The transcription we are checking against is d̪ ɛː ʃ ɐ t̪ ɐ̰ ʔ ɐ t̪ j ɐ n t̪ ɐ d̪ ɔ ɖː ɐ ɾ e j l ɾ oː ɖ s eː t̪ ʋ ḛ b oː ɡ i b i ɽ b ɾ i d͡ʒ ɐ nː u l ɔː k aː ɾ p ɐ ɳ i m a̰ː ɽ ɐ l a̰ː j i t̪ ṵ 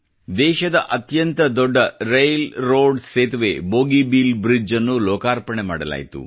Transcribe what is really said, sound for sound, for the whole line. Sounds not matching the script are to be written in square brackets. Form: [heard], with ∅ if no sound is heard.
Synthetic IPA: d̪ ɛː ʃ ɐ [d̪] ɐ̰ ʔ ɐ t̪ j ɐ n t̪ ɐ d̪ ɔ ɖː ɐ ɾ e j l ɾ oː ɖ s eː t̪ ʋ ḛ b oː ɡ i b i [l] b ɾ i d͡ʒ ɐ nː u l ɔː k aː ɾ p ɐ ɳ [e] m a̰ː ɽ ɐ l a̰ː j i t̪ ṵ